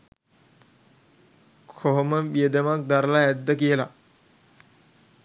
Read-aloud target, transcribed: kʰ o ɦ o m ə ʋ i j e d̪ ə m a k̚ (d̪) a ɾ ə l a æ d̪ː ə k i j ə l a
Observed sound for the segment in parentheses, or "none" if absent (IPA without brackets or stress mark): d̪